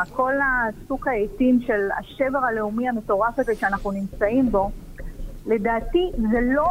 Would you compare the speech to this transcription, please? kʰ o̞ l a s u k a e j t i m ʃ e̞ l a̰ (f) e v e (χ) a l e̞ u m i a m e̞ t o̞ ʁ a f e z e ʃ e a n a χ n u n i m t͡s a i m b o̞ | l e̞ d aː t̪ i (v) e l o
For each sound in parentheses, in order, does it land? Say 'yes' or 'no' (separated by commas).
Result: no, no, no